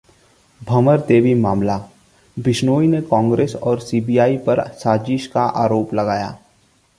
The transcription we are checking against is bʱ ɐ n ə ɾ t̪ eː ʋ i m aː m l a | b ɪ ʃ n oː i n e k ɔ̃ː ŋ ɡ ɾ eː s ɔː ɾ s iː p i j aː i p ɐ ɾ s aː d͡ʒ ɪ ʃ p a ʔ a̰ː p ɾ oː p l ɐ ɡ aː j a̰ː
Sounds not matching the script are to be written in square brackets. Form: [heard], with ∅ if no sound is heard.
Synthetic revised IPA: bʱ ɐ [m] ə ɾ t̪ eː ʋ i m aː m l a | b ɪ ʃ n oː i n e k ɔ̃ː ŋ ɡ ɾ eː s ɔː ɾ s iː [b] i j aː i p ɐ ɾ s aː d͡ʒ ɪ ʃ [k] a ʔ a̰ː [∅] ɾ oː p l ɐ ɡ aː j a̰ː